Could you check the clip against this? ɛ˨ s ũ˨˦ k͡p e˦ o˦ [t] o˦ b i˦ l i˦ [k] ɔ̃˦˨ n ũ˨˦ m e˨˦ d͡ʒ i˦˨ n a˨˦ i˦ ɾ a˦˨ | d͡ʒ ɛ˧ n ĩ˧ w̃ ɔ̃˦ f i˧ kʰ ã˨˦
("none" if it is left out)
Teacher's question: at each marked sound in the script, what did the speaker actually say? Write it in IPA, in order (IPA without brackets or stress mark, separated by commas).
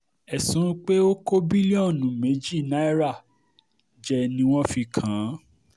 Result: k, none